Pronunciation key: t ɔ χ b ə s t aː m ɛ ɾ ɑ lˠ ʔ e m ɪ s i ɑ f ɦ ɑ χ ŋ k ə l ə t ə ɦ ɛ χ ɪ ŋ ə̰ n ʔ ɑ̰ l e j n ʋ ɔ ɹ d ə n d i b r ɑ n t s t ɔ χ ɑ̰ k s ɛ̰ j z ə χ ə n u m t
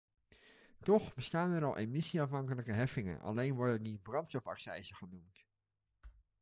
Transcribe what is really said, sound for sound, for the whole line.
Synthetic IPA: t ɔ χ b ə s t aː n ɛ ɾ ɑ lˠ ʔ e m ɪ s i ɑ f ɦ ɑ ŋ k ə l ə k ə ɦ ɛ f ɪ ŋ ə̰ n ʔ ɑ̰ l e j n ʋ ɔ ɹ d ə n d i b r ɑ n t s t ɔ f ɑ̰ k s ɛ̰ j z ə χ ə n u m t